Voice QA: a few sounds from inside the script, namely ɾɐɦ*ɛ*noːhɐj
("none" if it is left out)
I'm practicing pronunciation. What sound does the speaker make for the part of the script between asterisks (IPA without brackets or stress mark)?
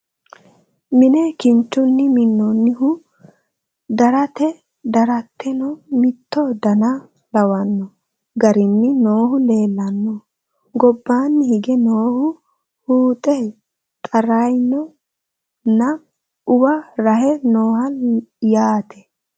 ɛ